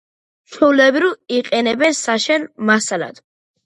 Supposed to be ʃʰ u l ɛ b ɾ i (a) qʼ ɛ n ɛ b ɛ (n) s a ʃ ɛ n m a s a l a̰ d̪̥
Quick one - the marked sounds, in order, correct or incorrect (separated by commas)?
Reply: incorrect, correct